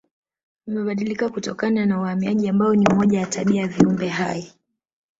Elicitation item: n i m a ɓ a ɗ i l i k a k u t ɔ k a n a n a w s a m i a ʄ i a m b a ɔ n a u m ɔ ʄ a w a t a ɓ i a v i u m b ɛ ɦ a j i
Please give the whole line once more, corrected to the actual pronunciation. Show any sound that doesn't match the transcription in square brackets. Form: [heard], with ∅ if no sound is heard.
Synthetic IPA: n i m [ɛ] ɓ a ɗ i l i k a k u t ɔ k a n a n a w [h] a m i a ʄ i a m b a ɔ n [i] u m ɔ ʄ a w a t a ɓ i a v i u m b ɛ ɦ a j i